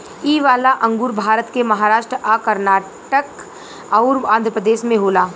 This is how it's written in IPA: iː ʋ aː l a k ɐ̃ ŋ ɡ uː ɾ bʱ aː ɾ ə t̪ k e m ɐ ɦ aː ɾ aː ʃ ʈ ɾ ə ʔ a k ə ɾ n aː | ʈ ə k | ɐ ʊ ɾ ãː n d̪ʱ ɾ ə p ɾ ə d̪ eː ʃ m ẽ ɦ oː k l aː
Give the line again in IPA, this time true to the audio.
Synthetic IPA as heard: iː ʋ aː l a ʔ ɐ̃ ŋ ɡ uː ɾ bʱ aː ɾ ə t̪ k e m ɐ ɦ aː ɾ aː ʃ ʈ ɾ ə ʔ a k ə ɾ n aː | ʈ ə k | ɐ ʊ ɾ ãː n d̪ʱ ɾ ə p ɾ ə d̪ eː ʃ m ẽ ɦ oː l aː